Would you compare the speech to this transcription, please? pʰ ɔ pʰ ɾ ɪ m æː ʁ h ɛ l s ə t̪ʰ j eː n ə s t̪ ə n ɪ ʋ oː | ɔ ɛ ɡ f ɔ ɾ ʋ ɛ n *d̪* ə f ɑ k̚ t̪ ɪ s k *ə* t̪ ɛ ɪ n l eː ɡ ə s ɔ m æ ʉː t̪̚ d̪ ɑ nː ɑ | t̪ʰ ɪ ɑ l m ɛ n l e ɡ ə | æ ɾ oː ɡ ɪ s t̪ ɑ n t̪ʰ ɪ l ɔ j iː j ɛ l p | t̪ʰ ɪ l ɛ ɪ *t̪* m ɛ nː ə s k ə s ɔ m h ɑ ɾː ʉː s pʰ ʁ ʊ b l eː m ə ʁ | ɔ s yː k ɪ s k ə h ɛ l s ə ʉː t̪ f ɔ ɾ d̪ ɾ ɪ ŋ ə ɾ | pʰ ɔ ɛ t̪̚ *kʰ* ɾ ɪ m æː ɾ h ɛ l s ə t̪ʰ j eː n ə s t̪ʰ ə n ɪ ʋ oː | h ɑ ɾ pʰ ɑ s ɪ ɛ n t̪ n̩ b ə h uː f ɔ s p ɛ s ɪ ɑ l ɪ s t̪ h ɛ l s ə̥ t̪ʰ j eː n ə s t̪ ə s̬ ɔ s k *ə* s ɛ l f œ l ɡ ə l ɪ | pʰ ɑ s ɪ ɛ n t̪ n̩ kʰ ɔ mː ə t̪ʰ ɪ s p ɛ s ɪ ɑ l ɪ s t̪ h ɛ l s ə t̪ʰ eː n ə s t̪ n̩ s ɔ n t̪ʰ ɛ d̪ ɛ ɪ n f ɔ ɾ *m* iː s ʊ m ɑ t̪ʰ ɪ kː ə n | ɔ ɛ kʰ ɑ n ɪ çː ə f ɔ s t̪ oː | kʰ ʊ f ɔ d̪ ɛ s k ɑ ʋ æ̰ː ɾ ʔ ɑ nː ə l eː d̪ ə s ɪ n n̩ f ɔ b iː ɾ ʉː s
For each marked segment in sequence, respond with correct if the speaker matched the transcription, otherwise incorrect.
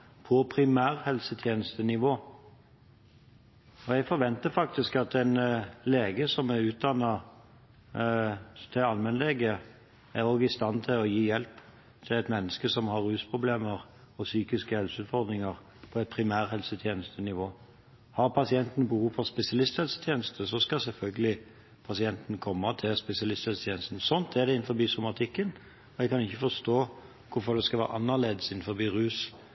incorrect, incorrect, correct, incorrect, incorrect, incorrect

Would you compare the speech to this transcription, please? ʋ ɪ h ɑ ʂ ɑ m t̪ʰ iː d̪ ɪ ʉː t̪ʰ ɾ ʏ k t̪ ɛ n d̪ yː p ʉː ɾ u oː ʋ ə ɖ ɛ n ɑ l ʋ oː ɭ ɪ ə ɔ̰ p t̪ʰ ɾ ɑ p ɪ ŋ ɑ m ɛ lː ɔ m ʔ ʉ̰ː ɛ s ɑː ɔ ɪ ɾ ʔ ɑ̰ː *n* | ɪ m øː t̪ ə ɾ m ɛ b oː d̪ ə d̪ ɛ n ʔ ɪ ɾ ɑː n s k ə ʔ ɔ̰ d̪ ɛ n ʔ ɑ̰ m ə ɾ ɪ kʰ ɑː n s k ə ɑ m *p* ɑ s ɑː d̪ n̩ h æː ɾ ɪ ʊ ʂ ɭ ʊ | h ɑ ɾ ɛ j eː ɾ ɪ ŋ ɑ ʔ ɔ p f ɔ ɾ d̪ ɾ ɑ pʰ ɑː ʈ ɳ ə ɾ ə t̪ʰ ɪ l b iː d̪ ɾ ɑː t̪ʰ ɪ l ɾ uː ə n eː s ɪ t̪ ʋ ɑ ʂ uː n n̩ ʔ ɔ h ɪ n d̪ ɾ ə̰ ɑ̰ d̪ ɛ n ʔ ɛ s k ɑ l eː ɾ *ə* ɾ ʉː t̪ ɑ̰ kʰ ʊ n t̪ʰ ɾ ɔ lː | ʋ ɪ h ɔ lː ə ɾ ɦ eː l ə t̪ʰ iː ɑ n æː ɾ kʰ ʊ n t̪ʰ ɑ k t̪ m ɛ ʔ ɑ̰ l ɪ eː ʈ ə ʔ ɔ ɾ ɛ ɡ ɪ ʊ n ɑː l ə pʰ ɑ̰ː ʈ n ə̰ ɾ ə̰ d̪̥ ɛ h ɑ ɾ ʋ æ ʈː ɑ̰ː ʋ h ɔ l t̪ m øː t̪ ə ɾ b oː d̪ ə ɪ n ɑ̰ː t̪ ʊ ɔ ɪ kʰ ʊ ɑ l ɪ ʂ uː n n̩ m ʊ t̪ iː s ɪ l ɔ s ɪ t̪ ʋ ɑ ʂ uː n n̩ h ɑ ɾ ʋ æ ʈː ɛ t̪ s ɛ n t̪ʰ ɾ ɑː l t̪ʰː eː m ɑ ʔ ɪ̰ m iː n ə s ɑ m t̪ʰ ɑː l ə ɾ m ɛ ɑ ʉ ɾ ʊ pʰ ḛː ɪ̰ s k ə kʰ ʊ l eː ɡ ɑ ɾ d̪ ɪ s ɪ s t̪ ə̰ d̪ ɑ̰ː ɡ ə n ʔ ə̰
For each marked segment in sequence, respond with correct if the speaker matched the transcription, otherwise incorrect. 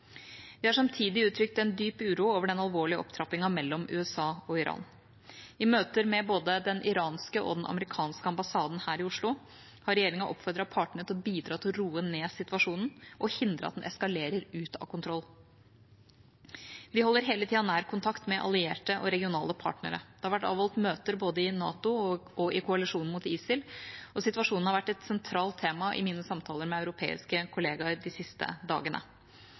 correct, incorrect, correct

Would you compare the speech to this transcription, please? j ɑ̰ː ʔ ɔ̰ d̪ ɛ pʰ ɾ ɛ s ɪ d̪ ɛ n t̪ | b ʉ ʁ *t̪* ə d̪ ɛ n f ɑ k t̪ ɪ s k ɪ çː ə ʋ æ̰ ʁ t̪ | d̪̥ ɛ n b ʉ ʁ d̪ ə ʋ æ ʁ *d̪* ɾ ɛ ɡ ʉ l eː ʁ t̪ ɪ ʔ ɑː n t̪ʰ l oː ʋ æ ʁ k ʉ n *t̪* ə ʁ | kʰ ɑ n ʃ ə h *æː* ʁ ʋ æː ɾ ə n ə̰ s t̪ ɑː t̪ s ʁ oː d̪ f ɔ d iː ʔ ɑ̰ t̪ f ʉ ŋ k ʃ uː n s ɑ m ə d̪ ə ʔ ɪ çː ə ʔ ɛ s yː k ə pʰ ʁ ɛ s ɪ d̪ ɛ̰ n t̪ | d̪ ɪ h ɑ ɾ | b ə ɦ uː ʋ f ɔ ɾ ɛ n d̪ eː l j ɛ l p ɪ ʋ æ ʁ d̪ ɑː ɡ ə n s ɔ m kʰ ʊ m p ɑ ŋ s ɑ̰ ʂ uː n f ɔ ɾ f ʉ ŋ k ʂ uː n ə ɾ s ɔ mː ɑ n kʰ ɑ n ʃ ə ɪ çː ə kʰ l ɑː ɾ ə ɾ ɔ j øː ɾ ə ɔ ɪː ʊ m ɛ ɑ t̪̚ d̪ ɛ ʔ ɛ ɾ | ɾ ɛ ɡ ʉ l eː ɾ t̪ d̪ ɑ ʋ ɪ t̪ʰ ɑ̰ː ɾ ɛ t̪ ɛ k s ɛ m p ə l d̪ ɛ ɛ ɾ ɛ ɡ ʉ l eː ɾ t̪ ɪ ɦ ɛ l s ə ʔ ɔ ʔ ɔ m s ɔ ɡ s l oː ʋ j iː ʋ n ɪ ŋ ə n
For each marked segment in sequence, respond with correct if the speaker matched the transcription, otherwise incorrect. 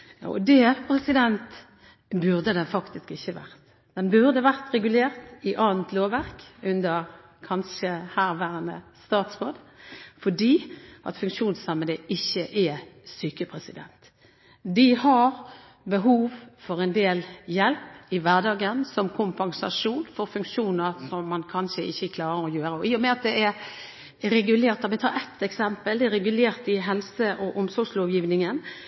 incorrect, incorrect, incorrect, correct

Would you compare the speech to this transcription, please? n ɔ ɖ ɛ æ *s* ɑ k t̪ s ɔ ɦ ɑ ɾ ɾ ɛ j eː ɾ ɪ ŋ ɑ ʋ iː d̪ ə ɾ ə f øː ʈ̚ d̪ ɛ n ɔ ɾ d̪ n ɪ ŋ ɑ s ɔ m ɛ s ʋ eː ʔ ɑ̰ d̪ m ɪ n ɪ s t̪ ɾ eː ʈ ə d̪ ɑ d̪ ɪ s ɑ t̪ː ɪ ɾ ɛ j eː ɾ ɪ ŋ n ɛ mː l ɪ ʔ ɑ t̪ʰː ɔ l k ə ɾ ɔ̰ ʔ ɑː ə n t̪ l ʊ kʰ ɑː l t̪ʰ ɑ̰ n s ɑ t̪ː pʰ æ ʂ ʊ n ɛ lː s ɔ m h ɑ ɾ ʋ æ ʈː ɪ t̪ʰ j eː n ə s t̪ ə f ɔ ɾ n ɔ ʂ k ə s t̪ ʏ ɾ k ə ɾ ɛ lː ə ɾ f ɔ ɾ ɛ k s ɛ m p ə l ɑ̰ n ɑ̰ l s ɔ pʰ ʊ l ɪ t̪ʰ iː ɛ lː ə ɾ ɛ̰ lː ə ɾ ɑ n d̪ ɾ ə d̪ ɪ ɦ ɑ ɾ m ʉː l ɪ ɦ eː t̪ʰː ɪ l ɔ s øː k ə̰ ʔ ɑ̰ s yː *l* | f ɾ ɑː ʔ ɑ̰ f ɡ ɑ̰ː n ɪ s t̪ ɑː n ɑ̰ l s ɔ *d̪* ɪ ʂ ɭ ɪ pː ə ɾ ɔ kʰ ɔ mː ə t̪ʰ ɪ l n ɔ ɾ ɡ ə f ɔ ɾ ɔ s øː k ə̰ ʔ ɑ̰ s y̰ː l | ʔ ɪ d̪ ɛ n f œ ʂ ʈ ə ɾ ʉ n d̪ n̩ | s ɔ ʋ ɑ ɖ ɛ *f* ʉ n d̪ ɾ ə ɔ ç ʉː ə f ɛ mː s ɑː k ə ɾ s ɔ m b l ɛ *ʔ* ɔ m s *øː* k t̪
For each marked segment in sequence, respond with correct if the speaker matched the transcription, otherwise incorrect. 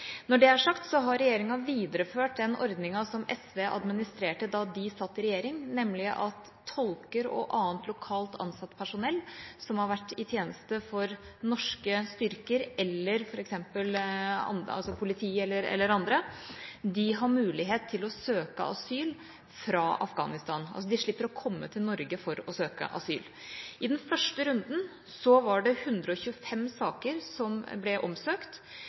incorrect, correct, correct, incorrect, correct, correct

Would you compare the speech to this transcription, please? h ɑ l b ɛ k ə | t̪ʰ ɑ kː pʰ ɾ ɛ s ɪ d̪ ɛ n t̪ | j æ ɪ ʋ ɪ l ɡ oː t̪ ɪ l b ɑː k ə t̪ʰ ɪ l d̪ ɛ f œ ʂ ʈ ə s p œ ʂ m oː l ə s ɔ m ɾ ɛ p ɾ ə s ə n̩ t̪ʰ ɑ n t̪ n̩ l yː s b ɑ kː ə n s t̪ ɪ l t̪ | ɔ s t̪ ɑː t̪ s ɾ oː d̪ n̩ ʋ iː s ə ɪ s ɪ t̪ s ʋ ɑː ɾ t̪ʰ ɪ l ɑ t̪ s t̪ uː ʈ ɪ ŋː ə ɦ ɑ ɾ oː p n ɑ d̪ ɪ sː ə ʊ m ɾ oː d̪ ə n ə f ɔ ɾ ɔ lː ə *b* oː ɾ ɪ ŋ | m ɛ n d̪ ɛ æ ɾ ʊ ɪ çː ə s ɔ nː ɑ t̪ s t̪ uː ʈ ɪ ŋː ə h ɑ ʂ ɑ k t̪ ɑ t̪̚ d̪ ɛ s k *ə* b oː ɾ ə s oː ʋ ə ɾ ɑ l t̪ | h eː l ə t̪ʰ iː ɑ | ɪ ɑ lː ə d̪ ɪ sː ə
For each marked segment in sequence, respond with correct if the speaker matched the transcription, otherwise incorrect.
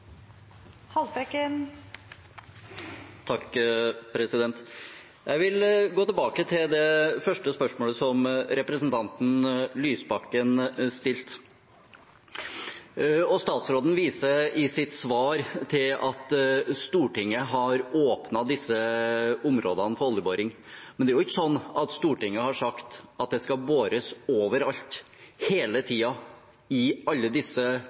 correct, incorrect

